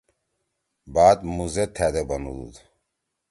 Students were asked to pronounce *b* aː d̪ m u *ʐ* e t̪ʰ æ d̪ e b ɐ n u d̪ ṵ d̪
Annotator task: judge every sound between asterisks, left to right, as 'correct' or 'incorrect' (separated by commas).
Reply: correct, incorrect